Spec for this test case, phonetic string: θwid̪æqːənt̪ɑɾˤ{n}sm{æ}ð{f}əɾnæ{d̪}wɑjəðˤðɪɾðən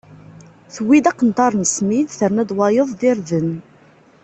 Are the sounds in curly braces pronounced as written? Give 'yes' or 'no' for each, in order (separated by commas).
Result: yes, no, no, yes